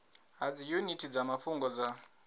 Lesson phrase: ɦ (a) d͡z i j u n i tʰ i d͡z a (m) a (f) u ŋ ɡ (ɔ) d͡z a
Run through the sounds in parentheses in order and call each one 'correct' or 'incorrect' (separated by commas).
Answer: correct, correct, correct, correct